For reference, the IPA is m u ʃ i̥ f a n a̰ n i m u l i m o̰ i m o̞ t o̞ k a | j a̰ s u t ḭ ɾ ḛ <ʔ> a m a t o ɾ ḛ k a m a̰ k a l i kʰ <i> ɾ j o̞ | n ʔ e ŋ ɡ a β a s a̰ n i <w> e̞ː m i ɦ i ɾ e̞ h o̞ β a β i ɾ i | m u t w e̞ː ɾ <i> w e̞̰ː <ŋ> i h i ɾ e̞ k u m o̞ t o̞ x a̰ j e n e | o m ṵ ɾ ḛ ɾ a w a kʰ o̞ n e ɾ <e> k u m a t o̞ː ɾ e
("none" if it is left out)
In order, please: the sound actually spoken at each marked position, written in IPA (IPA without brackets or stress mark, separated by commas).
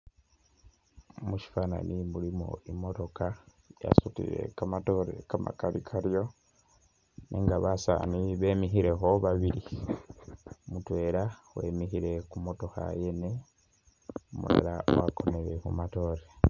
k, a, β, a, m, e